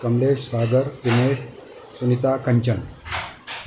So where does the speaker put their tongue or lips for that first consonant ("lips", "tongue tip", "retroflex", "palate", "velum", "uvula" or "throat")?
velum